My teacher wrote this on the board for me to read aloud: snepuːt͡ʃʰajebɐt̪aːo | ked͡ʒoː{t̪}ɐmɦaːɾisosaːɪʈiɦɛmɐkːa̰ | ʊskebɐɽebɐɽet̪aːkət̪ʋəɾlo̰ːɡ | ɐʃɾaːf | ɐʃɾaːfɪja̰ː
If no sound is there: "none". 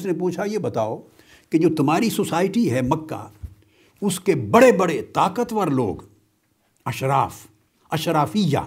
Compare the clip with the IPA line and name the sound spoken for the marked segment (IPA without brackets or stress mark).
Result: t̪